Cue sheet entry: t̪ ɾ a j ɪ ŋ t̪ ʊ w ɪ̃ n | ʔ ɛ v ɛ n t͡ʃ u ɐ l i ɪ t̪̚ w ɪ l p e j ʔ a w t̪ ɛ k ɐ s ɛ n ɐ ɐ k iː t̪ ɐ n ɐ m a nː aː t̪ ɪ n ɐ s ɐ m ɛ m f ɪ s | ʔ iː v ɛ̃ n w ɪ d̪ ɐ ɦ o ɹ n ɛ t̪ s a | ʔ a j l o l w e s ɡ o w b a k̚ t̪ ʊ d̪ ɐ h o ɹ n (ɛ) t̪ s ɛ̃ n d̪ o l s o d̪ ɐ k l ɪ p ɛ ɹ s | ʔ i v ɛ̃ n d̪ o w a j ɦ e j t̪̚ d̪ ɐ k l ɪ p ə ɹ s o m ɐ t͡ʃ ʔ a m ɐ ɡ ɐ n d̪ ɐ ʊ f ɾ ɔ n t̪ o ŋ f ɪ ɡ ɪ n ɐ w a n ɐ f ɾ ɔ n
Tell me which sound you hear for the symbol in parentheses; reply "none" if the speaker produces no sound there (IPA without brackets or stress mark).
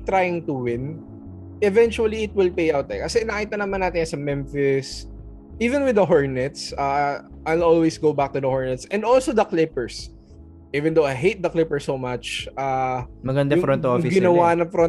ɛ